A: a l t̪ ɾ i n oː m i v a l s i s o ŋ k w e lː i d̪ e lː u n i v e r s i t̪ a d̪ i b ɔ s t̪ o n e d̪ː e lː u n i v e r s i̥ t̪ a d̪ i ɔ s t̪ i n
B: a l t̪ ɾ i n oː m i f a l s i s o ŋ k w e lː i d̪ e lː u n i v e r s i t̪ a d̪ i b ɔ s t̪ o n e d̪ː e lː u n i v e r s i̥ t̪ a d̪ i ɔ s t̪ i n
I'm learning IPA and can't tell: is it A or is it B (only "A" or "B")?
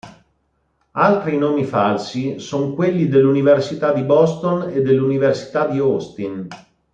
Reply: B